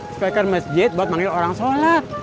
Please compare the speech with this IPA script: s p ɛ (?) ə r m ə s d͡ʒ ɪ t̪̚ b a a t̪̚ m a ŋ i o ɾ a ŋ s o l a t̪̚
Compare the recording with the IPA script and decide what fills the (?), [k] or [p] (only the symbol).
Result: k